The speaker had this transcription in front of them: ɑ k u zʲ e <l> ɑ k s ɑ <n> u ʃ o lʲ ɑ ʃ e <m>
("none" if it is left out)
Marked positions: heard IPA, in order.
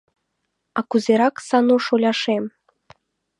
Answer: ɾ, n, m

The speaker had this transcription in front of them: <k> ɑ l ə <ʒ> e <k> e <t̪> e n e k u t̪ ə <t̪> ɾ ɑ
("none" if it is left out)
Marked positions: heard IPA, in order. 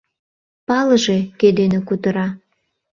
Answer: p, ʒ, k, d̪, none

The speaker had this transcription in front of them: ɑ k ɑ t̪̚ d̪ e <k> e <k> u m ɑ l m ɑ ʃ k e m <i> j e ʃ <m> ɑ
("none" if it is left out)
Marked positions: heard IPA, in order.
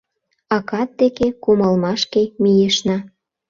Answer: k, k, i, n

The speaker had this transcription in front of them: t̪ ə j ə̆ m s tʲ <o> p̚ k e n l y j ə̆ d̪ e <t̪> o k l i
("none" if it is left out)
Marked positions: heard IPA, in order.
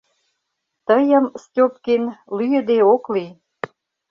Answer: o, none

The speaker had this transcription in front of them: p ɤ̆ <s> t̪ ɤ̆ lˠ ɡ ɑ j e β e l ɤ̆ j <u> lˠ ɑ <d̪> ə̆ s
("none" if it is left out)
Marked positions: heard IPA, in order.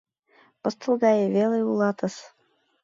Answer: s, u, t̪

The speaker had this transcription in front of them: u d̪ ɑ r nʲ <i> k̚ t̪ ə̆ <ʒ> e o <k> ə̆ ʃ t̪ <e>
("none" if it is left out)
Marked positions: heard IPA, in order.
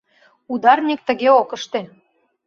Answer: i, ɣ, k, e

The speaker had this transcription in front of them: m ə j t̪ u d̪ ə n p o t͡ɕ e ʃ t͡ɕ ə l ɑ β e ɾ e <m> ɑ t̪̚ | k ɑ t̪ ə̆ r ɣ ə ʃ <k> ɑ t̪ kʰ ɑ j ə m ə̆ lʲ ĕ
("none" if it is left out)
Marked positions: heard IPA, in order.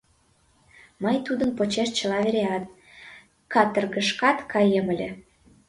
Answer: none, k

